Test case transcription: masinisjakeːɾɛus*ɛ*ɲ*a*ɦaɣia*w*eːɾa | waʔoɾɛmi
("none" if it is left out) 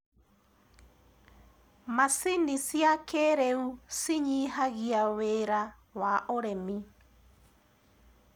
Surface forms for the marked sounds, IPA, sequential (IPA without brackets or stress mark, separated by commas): i, i, w